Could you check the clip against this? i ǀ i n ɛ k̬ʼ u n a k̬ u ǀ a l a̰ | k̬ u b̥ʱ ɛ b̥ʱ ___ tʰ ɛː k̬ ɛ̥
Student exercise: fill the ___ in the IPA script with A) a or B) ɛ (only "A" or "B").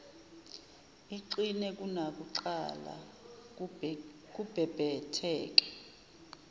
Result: B